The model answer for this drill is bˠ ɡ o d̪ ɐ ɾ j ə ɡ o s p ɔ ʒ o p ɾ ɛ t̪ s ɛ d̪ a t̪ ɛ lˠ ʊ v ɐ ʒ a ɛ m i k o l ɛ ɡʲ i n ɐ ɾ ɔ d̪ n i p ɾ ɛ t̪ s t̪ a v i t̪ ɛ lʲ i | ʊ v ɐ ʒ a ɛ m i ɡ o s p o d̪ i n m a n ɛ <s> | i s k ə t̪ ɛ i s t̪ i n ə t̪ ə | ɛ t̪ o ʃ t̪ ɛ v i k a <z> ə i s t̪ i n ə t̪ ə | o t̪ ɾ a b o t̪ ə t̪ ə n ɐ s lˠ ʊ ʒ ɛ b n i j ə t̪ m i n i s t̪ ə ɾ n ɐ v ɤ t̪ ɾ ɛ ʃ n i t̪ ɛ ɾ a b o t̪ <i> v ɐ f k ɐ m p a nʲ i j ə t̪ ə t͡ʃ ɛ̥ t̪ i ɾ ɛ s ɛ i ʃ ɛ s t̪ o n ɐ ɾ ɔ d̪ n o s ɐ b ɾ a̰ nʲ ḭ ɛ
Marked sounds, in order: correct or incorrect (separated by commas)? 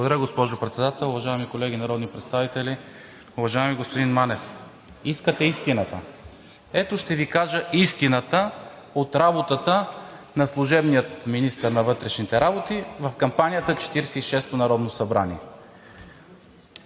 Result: incorrect, incorrect, correct